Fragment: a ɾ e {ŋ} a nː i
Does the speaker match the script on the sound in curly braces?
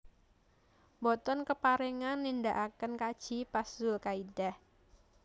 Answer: yes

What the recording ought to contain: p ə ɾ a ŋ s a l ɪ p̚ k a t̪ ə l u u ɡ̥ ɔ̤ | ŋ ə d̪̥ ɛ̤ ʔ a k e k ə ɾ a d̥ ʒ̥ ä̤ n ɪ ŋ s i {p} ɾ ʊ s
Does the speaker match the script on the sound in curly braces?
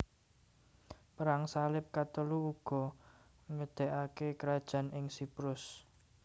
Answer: yes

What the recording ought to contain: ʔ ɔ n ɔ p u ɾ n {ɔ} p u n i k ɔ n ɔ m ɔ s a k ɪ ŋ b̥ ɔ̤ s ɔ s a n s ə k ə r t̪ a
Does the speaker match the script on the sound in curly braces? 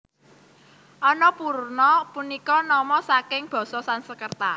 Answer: yes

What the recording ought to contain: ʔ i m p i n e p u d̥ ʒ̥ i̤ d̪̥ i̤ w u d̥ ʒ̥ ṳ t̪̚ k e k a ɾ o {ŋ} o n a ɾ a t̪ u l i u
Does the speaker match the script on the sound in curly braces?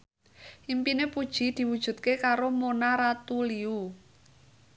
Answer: no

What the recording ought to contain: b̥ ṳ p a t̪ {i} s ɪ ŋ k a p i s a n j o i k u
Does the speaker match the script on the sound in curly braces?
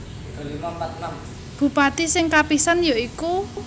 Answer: yes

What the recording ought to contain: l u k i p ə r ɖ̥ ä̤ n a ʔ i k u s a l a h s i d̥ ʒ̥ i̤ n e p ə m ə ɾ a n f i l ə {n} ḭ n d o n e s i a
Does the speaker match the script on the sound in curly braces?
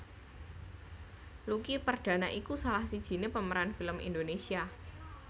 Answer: no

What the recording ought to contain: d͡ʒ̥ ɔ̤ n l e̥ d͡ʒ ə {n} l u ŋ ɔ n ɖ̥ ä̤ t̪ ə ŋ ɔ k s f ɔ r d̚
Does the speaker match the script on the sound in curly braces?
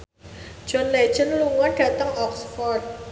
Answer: yes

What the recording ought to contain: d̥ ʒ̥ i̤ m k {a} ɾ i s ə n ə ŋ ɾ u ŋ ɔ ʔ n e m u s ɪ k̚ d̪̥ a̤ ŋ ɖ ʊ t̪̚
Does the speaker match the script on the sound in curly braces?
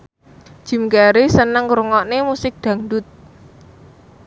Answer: yes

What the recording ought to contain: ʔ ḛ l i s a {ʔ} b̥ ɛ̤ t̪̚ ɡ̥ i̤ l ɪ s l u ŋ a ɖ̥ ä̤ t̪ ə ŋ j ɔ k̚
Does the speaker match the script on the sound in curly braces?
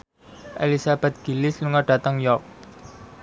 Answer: no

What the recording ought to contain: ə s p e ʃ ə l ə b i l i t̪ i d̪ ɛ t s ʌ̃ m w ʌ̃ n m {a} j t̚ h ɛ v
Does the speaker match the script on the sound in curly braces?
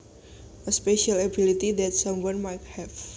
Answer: yes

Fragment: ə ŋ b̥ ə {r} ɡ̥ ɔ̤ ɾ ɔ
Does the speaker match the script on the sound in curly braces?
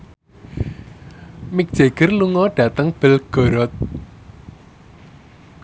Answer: no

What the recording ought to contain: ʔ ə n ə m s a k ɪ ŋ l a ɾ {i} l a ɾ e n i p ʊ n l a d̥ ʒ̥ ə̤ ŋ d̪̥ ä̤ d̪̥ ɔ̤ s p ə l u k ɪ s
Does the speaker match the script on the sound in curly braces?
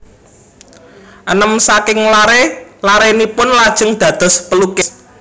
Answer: no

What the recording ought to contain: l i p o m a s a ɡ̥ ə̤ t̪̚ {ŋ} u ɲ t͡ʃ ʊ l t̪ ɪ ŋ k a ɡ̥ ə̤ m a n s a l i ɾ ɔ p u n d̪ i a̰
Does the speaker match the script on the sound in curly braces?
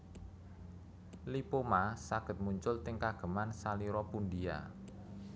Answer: no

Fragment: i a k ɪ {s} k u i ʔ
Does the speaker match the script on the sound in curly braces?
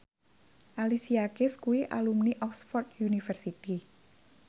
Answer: yes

